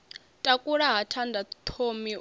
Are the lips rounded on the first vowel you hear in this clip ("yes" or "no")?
no